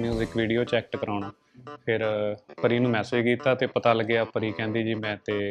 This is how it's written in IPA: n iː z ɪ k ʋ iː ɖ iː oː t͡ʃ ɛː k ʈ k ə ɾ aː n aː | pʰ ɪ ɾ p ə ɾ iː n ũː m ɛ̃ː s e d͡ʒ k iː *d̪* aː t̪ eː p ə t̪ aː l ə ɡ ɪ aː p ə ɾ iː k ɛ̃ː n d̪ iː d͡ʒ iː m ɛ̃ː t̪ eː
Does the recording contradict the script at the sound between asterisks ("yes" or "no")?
yes